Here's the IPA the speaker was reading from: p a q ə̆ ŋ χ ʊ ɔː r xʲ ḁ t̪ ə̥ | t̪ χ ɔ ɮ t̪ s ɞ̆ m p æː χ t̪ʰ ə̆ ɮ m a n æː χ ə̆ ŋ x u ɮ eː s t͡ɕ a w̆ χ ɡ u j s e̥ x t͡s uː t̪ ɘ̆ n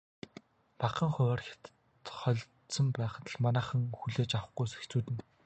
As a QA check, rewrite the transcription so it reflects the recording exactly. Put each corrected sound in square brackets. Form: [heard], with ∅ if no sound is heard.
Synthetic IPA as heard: p a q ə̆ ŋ χ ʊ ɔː r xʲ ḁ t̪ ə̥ | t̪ χ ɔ ɮ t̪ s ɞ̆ m p æː χ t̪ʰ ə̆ ɮ m a n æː χ ə̆ ŋ x u ɮ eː [∅] t͡ɕ a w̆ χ ɡ u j s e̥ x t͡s uː t̪ ɘ̆ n